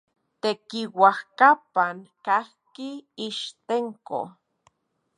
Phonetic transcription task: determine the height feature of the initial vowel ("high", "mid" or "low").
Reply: mid